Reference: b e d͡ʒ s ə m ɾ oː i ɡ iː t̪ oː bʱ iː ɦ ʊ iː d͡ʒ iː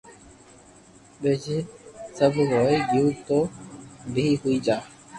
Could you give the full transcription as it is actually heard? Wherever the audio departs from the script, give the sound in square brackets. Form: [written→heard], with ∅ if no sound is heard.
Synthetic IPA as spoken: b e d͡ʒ s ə [m→b] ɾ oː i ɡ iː t̪ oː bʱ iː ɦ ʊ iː d͡ʒ [iː→aː]